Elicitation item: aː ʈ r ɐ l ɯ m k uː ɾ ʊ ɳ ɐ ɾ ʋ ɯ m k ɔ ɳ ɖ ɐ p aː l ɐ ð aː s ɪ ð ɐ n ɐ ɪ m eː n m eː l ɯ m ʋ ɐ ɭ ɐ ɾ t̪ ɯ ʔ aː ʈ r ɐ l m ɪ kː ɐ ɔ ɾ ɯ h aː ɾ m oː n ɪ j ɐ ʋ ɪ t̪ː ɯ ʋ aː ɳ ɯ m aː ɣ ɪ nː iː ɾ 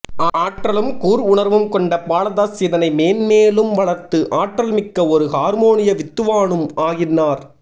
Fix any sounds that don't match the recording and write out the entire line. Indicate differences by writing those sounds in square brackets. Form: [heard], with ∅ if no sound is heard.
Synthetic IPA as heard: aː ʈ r ɐ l ɯ m k uː ɾ ʊ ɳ ɐ ɾ ʋ ɯ m k ɔ ɳ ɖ ɐ p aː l ɐ ð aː s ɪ ð ɐ n ɐ ɪ m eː n m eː l ɯ m ʋ ɐ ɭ ɐ ɾ t̪ ɯ ʔ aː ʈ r ɐ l m ɪ kː ɐ ɔ ɾ ɯ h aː ɾ m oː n ɪ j ɐ ʋ ɪ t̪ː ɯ ʋ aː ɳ ɯ m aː ɣ ɪ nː [aː] ɾ